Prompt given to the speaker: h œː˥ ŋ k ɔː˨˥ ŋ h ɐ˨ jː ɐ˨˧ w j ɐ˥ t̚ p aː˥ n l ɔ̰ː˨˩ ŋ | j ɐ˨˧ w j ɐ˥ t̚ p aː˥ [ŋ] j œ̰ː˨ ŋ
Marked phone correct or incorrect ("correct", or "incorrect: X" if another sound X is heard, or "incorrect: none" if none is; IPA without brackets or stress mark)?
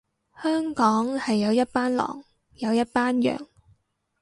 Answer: incorrect: n